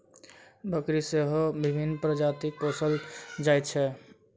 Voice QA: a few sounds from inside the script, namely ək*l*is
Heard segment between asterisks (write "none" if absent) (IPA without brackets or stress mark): ɾ